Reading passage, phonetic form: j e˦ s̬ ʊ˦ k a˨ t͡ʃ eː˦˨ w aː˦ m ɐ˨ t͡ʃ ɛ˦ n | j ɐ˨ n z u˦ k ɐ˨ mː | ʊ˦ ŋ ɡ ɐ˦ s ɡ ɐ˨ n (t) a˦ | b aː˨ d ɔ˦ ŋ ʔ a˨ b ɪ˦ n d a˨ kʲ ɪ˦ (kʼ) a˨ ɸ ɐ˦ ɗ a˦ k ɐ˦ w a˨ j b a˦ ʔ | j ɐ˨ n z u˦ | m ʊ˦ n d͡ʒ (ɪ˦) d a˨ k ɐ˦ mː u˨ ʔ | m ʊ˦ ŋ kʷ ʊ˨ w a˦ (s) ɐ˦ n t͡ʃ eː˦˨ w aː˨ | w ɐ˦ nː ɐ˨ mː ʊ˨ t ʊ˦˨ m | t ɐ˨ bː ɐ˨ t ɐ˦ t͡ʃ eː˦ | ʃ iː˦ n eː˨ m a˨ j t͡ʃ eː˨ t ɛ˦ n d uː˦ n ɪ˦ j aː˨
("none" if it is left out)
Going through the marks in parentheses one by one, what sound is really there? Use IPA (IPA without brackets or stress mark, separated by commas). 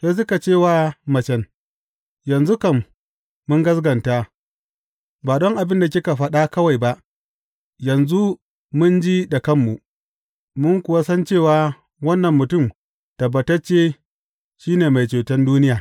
t, k, i˦, s